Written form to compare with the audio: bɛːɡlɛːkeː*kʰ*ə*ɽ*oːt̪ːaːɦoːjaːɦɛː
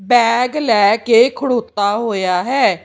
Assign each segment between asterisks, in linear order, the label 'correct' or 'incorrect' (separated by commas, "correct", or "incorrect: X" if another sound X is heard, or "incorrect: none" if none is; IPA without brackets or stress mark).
correct, correct